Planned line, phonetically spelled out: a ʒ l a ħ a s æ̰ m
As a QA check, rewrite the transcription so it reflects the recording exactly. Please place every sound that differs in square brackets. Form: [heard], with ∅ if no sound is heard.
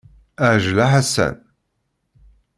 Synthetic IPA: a ʒ l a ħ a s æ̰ [n]